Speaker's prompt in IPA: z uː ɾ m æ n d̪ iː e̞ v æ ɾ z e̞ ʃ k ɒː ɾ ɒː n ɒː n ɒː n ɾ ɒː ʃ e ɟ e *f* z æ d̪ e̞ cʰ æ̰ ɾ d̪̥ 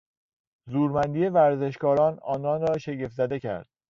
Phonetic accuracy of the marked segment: correct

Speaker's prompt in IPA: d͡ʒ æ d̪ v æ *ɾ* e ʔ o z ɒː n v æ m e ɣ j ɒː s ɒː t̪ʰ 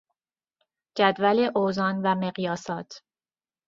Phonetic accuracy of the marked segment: incorrect: l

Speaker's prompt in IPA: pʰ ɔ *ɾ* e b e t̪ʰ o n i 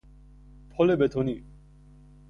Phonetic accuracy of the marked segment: incorrect: l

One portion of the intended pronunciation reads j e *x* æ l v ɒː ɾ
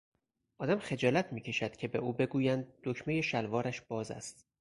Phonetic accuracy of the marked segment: incorrect: ʃ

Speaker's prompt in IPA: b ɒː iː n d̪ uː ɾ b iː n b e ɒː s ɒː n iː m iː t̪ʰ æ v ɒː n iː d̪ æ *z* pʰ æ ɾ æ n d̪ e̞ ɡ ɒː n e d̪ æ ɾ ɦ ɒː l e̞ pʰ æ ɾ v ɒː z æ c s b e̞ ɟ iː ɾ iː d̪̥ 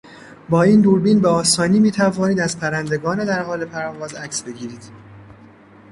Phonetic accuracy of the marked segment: correct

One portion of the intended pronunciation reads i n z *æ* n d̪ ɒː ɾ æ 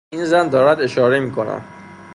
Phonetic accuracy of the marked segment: correct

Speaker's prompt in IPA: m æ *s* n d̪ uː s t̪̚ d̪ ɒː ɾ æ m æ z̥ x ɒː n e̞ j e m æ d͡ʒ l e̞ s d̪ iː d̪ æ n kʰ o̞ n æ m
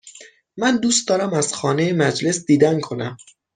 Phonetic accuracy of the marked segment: incorrect: none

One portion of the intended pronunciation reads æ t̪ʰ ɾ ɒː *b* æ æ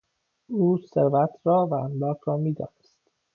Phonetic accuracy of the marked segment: incorrect: v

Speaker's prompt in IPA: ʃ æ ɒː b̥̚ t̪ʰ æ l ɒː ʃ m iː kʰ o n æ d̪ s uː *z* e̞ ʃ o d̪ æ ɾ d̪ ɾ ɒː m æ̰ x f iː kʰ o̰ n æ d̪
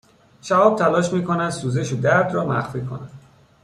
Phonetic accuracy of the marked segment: correct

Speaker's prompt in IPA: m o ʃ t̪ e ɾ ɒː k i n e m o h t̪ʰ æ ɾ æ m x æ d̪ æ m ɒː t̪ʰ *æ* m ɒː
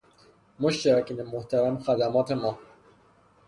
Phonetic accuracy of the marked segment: incorrect: e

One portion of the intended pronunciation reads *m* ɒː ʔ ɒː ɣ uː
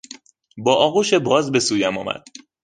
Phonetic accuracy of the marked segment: incorrect: b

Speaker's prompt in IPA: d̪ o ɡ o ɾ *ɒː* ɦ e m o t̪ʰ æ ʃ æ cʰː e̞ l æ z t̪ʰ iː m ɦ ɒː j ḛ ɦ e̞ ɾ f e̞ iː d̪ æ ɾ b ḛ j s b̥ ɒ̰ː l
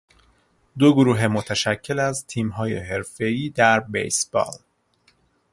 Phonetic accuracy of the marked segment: incorrect: uː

